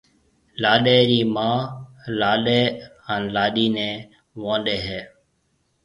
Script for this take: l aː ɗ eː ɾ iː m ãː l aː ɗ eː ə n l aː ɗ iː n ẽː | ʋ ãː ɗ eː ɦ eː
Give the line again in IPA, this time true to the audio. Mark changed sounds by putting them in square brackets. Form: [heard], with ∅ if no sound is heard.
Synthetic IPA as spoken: l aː ɗ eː ɾ iː m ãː l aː ɗ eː ə n l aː ɗ iː n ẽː | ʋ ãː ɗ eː ɦ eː